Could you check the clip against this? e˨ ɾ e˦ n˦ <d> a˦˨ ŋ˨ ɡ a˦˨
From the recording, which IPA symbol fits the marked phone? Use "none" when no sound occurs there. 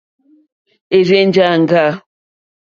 d͡ʒ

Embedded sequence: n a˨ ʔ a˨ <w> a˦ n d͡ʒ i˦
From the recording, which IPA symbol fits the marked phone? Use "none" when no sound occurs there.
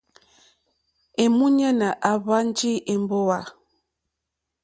β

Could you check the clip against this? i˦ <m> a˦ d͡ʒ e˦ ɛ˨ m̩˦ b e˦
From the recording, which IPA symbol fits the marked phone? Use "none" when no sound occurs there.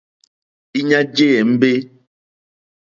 ɲ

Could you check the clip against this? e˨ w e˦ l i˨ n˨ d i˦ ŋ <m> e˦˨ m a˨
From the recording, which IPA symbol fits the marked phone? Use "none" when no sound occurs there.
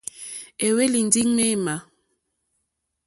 m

